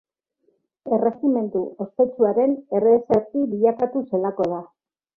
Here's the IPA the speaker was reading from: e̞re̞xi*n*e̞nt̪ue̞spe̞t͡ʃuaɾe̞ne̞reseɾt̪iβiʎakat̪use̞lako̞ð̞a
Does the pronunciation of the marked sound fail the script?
yes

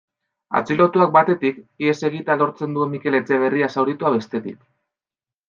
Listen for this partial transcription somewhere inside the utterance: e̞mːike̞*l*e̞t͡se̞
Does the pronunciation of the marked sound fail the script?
no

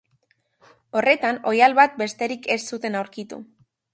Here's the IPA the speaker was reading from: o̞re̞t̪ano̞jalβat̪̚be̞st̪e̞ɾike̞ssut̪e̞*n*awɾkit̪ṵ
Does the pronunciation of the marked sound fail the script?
no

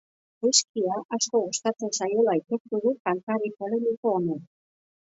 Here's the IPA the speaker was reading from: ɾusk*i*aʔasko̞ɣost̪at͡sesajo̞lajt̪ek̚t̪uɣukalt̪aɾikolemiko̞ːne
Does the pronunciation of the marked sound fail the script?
no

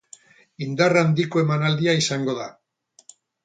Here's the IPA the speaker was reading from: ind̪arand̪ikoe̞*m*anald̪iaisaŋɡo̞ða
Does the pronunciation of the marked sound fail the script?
no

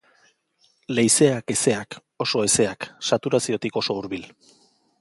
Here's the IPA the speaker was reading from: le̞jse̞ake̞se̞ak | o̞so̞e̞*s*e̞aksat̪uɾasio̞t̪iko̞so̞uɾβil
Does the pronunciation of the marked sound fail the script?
no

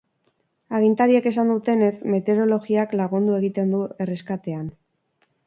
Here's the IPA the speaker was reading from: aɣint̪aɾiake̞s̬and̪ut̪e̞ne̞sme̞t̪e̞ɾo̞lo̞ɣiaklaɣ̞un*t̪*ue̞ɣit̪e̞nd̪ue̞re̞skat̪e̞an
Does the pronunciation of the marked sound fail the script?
yes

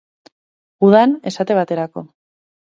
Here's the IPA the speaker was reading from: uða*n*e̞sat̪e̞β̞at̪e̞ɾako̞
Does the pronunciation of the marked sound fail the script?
no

